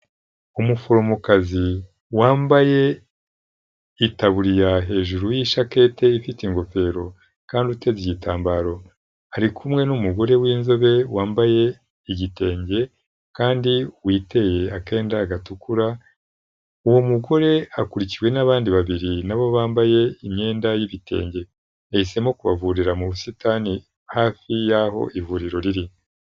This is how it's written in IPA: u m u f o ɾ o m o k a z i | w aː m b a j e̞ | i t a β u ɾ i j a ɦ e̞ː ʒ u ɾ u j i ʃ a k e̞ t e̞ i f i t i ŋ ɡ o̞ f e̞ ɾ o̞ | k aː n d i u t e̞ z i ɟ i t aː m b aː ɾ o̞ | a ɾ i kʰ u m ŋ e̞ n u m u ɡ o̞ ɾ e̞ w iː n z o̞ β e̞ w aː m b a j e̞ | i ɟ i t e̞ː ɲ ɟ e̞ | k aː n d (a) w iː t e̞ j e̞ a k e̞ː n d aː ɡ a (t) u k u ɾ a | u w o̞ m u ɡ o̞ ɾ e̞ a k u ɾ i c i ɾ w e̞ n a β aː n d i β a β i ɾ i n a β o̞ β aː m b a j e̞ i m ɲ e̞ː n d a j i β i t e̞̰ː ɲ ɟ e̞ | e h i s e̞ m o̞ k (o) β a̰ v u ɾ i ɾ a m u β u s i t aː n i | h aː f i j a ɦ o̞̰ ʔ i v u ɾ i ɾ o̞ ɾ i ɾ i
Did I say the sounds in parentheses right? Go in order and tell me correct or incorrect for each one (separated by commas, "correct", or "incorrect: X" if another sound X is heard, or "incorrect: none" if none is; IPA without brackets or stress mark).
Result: incorrect: i, correct, incorrect: u